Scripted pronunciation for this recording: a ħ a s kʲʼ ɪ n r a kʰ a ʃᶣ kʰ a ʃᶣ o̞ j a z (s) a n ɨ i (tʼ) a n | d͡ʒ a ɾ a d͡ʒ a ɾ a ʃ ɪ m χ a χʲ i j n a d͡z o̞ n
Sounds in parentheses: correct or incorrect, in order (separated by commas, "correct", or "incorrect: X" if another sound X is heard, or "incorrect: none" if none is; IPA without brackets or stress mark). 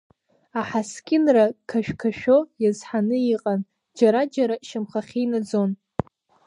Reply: incorrect: ħ, incorrect: qʼ